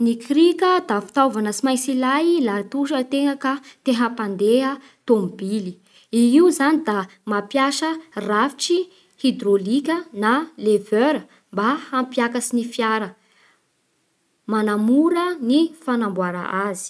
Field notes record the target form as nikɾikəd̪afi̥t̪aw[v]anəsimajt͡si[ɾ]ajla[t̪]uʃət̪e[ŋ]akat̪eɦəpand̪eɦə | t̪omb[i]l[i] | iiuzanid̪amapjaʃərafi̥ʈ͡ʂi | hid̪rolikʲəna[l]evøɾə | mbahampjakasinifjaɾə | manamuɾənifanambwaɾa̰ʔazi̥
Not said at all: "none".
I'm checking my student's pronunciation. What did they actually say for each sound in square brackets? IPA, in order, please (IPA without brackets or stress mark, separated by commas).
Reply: v, l, t̪, ŋ, i, i, l